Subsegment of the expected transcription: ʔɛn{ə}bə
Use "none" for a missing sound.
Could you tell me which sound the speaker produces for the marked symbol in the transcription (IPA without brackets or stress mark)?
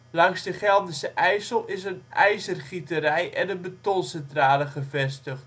ə